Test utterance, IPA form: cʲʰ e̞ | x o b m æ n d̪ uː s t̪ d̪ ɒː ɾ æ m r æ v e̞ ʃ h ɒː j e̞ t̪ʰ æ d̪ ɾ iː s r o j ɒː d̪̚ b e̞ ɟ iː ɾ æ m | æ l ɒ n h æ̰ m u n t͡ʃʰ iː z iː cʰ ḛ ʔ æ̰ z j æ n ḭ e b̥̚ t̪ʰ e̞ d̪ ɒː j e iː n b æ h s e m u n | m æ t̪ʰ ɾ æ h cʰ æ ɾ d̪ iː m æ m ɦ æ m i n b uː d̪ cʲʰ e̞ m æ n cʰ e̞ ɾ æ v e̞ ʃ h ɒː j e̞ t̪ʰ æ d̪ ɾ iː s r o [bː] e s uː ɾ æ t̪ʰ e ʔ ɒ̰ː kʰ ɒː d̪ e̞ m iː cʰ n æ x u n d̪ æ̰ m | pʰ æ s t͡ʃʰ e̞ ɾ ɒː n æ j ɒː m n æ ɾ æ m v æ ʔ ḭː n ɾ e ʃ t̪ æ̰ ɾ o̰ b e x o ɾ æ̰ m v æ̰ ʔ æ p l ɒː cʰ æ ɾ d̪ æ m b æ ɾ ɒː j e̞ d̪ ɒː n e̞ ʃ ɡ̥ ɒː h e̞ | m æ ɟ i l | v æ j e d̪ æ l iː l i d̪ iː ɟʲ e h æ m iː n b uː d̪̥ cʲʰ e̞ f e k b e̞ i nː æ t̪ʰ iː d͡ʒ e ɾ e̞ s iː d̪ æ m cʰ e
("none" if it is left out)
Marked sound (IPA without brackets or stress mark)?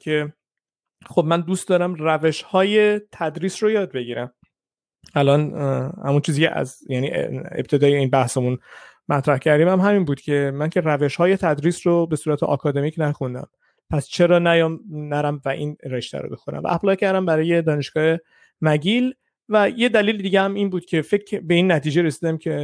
b